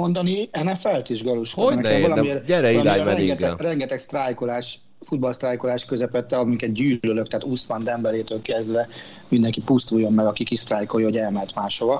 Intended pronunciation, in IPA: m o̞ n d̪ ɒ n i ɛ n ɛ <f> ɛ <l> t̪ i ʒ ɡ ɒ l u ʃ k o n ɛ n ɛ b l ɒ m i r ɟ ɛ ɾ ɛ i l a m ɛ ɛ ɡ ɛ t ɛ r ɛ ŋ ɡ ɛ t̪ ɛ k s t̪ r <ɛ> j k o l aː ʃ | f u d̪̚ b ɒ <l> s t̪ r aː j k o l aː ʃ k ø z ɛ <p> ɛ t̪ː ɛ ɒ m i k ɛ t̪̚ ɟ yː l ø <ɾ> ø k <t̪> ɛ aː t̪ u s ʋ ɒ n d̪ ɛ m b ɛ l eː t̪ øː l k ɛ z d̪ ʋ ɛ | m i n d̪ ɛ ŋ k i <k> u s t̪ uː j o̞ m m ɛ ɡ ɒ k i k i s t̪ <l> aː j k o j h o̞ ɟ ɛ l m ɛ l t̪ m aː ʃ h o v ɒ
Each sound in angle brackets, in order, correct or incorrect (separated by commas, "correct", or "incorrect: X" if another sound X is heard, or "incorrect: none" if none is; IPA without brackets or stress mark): correct, correct, incorrect: a, correct, correct, incorrect: l, correct, incorrect: p, incorrect: r